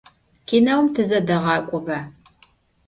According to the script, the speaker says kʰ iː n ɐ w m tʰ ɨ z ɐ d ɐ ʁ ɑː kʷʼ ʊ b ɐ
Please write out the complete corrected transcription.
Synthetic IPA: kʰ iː n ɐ w m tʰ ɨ z ɐ d ɐ ʁ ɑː kʷʼ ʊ b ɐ